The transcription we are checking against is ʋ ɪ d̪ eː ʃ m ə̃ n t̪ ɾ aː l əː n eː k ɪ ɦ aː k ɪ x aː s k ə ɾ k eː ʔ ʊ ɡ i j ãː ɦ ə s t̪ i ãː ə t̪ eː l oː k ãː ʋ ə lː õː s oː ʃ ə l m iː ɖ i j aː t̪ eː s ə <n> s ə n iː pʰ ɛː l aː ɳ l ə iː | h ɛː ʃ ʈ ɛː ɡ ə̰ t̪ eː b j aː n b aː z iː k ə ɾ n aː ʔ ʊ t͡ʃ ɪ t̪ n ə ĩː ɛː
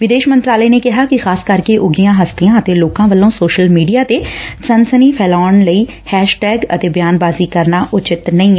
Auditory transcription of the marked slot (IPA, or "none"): n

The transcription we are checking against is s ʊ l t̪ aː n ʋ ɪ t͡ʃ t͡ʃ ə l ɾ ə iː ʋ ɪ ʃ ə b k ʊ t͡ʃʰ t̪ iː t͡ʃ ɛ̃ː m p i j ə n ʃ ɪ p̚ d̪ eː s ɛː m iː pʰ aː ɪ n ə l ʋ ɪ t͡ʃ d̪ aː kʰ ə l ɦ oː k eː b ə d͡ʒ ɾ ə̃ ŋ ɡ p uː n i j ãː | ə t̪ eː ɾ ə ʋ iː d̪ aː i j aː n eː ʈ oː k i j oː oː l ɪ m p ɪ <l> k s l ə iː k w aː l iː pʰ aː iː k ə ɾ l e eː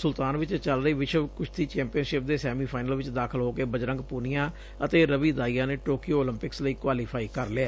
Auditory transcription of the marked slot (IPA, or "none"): none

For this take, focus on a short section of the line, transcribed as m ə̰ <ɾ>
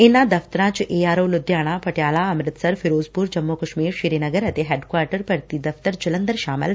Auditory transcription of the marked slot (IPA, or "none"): l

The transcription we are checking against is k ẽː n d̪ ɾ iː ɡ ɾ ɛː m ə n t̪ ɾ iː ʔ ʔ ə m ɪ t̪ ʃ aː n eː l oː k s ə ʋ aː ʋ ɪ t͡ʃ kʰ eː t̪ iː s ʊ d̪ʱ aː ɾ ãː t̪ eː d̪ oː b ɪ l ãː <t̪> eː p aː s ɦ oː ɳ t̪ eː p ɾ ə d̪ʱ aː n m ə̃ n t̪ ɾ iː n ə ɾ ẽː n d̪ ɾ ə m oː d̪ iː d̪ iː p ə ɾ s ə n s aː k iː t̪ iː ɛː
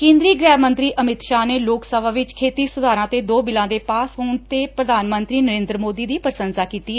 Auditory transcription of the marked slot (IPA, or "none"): d̪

